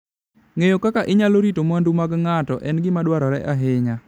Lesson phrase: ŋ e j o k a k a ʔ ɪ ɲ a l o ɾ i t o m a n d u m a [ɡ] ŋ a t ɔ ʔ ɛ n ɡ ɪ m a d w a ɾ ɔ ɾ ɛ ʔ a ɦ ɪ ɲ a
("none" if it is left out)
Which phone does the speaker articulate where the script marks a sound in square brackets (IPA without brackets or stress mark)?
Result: ɡ